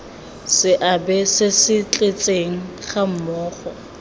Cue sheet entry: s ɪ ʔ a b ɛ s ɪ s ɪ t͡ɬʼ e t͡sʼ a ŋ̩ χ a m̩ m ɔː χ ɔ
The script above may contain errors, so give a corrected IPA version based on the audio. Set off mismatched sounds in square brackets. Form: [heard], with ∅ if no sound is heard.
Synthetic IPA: s ɪ ʔ a b ɛ s ɪ s ɪ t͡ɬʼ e t͡sʼ [e] ŋ̩ χ a m̩ m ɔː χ ɔ